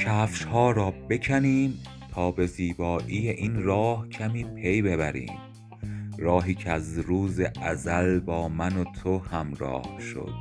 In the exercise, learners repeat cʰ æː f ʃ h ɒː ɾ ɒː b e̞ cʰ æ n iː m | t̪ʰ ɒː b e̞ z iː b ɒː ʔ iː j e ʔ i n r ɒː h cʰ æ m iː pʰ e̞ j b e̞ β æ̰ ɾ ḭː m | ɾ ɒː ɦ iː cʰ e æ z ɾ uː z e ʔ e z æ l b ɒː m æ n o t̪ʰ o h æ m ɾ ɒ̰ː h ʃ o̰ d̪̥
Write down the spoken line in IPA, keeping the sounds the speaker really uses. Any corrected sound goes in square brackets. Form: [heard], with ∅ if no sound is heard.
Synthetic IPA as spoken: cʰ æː f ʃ h ɒː ɾ ɒː b e̞ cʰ æ n iː m | t̪ʰ ɒː b e̞ z iː b ɒː ʔ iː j e ʔ i n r ɒː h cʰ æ m iː pʰ e̞ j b e̞ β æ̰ ɾ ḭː m | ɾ ɒː ɦ iː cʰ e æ z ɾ uː z e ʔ [æ] z æ l b ɒː m æ n o t̪ʰ o h æ m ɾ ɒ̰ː h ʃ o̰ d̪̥